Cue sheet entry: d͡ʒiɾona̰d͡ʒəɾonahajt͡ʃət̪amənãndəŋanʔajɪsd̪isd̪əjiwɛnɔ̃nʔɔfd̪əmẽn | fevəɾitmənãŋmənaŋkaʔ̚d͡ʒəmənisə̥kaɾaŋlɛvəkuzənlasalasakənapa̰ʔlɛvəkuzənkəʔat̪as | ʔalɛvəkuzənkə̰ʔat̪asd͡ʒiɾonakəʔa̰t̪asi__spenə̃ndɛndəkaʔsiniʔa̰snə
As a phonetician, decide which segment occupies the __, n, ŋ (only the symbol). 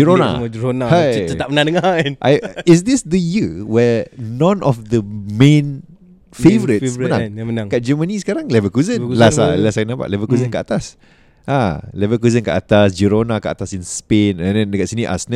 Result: n